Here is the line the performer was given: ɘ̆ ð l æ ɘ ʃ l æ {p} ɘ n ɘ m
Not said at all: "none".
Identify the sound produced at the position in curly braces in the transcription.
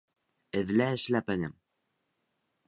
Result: p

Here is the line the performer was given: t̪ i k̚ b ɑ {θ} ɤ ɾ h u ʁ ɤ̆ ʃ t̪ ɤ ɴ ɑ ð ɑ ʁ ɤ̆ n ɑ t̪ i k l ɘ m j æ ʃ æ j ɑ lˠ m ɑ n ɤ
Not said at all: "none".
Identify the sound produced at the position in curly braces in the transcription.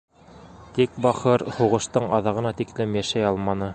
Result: χ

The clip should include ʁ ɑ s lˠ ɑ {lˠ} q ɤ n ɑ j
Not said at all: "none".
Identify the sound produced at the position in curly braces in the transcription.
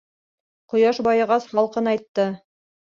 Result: lˠ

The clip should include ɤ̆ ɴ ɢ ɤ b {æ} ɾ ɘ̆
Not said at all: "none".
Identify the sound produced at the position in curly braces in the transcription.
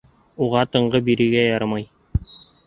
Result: i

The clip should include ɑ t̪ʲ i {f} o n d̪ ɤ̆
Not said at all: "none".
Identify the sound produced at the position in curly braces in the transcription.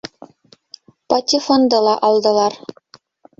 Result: f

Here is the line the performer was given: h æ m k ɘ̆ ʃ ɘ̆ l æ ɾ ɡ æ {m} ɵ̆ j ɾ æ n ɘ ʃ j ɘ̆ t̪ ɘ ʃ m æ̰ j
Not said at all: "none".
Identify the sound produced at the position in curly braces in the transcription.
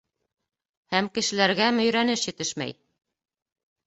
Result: m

